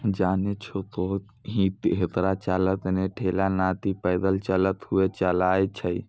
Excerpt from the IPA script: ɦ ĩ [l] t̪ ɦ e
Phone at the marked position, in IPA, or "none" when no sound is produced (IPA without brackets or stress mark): none